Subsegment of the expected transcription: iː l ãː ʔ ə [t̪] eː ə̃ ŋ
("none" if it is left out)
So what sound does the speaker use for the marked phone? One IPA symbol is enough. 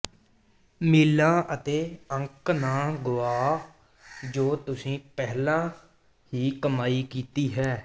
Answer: t̪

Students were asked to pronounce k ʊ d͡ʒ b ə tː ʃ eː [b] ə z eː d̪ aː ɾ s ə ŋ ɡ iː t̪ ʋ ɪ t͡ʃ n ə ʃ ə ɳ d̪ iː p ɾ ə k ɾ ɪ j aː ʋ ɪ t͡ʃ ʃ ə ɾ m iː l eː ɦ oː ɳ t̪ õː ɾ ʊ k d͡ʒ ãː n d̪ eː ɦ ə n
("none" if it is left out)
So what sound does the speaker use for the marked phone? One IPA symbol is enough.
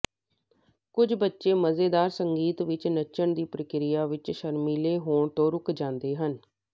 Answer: m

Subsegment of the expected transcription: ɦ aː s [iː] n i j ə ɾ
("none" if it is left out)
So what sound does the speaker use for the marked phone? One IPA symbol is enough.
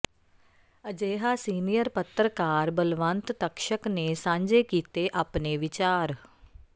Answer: iː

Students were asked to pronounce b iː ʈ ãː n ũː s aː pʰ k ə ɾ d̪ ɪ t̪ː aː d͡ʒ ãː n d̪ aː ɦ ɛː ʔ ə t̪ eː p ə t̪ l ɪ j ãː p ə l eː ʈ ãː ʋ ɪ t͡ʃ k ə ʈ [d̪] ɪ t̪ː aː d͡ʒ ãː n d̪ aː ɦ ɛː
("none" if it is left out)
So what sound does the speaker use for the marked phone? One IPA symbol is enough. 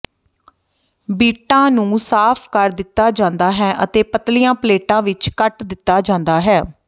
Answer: d̪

